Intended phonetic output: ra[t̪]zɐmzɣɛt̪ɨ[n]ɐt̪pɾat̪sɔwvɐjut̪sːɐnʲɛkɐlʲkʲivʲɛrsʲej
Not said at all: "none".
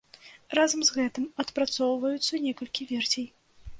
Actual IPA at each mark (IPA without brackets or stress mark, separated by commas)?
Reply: none, m